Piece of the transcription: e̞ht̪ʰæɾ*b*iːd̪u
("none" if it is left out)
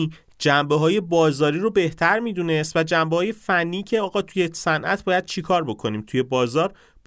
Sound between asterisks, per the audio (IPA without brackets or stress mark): m